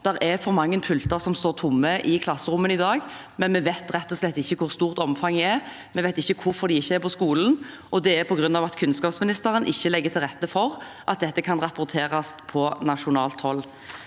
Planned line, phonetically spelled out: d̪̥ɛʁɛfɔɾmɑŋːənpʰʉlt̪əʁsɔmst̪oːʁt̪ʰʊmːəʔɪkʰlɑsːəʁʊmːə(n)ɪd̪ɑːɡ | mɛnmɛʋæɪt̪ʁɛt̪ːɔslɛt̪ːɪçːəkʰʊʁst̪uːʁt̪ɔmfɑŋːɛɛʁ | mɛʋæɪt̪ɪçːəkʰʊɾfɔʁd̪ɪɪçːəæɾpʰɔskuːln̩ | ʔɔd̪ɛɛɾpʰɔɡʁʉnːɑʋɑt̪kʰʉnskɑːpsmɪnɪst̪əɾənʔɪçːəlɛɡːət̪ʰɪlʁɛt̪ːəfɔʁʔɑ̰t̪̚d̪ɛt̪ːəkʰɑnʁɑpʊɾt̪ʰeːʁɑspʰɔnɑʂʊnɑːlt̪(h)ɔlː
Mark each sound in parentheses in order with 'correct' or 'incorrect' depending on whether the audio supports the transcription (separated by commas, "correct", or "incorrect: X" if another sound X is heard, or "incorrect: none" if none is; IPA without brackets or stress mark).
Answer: correct, correct